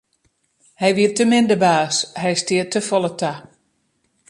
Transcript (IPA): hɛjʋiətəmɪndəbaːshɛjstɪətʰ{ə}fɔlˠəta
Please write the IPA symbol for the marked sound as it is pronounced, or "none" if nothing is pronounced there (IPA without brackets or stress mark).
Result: ə